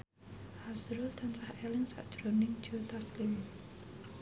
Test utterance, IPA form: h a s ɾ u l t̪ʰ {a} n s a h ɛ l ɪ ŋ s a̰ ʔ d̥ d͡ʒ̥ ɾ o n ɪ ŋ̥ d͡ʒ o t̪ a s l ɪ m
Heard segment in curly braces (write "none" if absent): a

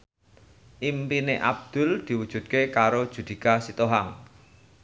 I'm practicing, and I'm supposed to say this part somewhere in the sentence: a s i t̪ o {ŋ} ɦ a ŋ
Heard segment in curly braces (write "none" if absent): none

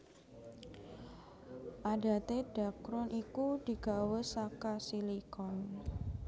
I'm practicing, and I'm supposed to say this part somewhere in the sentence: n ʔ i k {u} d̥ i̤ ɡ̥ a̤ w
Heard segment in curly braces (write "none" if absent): u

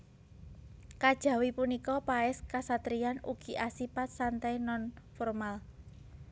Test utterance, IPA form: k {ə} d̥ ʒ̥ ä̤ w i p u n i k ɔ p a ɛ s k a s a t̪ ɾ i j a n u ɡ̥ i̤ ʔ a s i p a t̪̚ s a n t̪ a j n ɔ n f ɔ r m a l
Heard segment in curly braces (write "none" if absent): a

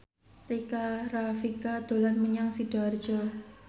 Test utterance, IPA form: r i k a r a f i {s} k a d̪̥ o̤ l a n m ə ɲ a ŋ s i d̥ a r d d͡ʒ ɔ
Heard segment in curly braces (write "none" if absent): none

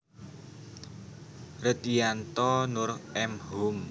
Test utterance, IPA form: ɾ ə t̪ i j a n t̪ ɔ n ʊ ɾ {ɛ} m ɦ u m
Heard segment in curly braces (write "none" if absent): ɛ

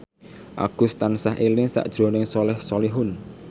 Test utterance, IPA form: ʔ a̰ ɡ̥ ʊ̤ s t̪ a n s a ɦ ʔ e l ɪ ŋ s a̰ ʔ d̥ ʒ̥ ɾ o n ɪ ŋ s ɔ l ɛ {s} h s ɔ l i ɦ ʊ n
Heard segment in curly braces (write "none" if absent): none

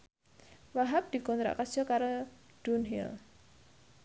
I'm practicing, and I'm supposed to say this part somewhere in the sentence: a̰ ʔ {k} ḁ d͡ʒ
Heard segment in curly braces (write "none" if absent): k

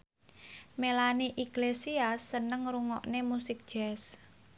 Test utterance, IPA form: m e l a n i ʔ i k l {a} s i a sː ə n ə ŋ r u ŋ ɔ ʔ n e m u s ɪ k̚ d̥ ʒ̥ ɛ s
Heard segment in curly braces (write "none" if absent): e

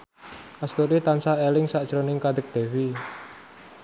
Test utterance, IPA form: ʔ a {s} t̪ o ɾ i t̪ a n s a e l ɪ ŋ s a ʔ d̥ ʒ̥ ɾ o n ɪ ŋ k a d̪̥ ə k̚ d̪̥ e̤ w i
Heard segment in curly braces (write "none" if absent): s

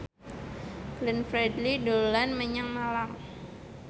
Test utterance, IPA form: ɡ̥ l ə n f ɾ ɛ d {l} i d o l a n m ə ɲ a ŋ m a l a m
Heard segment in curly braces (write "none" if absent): l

